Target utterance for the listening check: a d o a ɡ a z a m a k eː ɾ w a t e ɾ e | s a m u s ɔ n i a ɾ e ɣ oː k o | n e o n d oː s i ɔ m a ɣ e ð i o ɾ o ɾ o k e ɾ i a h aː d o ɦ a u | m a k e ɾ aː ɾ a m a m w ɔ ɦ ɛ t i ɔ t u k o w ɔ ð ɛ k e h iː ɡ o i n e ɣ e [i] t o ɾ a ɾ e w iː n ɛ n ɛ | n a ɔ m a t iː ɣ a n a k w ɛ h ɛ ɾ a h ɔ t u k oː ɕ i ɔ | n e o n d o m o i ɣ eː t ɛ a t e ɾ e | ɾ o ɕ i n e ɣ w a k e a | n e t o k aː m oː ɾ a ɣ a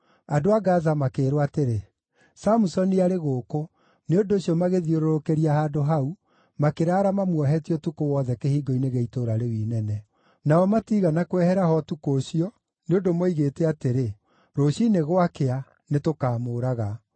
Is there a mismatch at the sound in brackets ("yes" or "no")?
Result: no